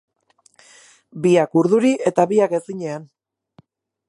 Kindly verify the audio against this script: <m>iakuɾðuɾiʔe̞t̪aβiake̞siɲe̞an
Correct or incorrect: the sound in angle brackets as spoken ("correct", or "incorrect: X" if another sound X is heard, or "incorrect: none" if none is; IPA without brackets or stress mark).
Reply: incorrect: b